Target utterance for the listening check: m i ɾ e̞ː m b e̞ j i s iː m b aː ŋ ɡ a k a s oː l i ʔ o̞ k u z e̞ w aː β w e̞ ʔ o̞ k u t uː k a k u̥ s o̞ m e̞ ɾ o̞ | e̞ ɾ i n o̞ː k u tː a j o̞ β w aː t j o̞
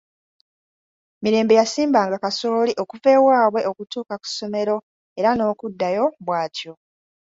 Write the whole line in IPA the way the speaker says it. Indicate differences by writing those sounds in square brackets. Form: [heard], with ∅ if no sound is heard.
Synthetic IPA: m i ɾ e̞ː m b e̞ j [a] s iː m b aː ŋ ɡ a k a s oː l i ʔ o̞ k u [v] e̞ w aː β w e̞ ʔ o̞ k u t uː k a k u̥ s o̞ m e̞ ɾ o̞ | e̞ ɾ [a] n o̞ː k u [dː] a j o̞ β w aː t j o̞